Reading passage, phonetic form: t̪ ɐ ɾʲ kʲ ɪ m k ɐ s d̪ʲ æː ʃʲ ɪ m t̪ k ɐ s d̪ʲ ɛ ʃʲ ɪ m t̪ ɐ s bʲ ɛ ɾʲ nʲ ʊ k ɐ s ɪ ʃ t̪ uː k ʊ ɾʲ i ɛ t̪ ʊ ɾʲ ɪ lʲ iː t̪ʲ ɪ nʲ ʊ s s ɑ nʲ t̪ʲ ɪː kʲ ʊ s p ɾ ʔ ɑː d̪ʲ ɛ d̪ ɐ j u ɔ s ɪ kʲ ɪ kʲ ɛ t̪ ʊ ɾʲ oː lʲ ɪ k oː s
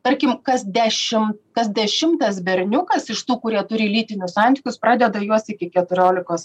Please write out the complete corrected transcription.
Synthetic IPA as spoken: t̪ ɐ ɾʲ kʲ ɪ m k ɐ s d̪ʲ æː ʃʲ ɪ m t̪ k ɐ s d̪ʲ ɛ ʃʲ ɪ m t̪ ɐ s bʲ ɛ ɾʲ nʲ ʊ k ɐ s ɪ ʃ t̪ uː k ʊ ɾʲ i ɛ t̪ ʊ ɾʲ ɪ lʲ iː t̪ʲ ɪ nʲ ʊ s s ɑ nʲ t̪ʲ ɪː kʲ ʊ s p ɾ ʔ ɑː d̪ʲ ɛ d̪ ɐ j u ɔ s ɪ kʲ ɪ kʲ ɛ t̪ ʊ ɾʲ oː lʲ ɪ k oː s